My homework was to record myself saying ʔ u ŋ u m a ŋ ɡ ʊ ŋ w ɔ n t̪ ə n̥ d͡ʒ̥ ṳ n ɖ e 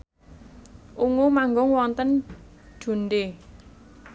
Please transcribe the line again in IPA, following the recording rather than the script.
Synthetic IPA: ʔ u ŋ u m a ŋ ɡ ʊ ŋ w ɔ n t̪ ə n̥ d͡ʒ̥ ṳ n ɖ e